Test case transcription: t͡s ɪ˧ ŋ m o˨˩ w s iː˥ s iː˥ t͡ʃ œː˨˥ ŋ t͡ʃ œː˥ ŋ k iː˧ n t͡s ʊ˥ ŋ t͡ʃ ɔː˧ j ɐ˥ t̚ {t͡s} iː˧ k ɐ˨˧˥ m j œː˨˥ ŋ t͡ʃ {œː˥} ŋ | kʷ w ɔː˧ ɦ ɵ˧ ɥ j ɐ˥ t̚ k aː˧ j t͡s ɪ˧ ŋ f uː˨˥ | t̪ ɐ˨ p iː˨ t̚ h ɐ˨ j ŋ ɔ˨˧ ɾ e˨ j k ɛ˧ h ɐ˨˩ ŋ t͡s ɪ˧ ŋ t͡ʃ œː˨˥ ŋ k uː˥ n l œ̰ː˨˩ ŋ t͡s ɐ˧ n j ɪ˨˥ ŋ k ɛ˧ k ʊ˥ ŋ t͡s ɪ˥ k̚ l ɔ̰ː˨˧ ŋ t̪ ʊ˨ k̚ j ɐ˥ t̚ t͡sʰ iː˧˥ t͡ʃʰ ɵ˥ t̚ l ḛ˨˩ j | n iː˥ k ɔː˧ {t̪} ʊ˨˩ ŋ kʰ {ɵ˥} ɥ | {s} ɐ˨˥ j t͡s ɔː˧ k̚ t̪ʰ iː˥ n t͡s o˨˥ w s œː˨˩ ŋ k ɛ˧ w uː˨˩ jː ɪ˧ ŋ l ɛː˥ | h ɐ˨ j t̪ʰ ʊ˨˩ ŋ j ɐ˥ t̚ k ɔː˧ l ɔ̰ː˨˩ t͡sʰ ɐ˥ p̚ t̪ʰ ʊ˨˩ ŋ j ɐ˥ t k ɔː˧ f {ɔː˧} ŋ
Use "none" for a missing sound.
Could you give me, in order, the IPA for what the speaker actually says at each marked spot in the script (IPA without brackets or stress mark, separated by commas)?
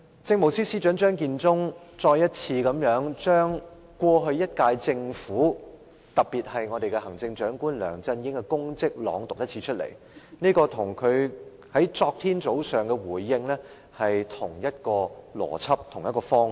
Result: t͡sʰ, œː˥, t̪ʰ, ɵ˨˧, h, ɔː˥